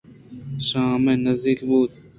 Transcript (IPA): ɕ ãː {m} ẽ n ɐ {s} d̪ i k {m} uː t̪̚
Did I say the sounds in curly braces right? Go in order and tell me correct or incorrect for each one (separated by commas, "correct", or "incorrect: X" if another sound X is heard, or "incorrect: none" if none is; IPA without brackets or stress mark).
correct, incorrect: z, incorrect: b